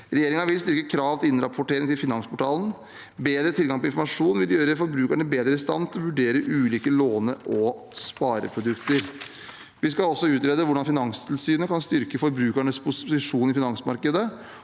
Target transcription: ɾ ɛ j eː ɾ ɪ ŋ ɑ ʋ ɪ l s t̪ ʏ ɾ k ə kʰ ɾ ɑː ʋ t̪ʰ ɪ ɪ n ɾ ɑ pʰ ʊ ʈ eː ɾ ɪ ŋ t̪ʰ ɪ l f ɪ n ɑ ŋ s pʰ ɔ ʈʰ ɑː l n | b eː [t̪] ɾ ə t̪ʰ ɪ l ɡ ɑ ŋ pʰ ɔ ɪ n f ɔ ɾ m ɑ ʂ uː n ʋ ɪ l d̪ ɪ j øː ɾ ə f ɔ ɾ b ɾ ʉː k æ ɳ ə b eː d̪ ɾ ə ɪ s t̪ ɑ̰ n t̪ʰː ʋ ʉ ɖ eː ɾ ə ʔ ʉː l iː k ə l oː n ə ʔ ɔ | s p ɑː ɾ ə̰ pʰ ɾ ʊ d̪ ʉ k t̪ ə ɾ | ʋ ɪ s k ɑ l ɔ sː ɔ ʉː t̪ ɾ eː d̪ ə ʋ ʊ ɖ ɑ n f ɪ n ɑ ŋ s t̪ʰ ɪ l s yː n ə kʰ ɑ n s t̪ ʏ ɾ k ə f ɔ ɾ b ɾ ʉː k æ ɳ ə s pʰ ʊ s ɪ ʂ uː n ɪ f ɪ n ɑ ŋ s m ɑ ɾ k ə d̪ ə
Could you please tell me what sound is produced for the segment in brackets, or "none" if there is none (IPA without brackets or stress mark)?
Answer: d̪